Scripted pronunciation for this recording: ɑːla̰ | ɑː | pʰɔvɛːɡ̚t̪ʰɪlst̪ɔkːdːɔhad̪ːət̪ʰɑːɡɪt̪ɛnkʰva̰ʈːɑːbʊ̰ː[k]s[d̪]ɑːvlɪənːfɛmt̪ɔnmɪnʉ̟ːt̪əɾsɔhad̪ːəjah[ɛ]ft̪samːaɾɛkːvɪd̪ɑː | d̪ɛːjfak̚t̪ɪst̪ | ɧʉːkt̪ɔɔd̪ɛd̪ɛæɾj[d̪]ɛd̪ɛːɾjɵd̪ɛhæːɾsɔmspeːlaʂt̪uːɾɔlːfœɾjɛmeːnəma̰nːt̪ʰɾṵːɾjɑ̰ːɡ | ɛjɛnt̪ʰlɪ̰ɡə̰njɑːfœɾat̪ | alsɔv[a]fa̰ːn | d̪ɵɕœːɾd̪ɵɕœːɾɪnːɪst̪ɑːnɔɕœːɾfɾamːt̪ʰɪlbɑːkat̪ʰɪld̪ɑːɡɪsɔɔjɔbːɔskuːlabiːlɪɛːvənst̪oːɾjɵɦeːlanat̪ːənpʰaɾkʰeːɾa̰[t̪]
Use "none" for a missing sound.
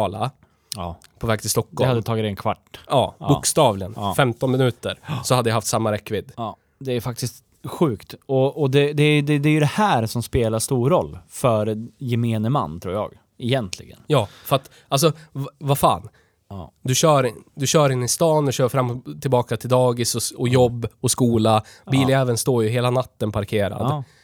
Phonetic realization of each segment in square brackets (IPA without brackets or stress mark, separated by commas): k, t̪, a, d̪, a, d̪